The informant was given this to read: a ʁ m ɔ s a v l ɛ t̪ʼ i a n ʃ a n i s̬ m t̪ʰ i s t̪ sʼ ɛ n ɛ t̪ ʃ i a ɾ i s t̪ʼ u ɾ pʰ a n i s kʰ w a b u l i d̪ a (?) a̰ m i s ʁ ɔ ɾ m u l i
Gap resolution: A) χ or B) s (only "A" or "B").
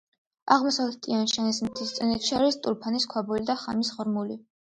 A